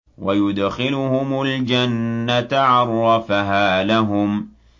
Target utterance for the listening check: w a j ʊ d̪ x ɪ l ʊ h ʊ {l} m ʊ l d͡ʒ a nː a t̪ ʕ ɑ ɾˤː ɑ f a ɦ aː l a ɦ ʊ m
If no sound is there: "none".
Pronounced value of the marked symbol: none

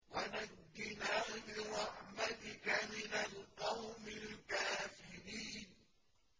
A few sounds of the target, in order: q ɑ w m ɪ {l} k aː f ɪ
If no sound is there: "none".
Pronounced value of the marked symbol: l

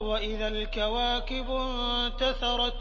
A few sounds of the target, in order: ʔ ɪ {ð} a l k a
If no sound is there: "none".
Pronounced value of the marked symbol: ð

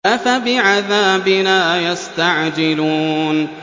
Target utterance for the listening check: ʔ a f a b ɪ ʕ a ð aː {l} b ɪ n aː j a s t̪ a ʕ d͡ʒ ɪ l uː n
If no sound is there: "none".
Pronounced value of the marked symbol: none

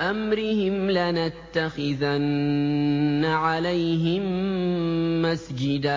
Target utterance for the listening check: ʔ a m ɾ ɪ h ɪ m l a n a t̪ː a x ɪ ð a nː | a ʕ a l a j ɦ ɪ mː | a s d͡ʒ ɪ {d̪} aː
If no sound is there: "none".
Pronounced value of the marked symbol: d̪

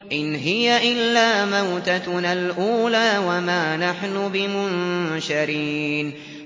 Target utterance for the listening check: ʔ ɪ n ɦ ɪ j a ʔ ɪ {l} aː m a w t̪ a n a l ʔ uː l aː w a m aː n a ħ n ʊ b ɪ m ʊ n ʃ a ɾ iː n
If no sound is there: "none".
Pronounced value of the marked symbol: lː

